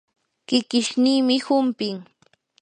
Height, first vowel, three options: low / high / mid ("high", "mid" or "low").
high